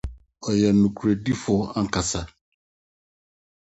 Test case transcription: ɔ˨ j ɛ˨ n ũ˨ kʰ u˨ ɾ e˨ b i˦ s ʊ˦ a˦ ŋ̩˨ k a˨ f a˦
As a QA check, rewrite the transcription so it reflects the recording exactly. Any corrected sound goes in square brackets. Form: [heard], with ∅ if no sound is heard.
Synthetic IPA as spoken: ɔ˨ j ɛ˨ n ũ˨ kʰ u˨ ɾ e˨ [d] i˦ [f] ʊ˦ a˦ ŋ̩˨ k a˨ [s] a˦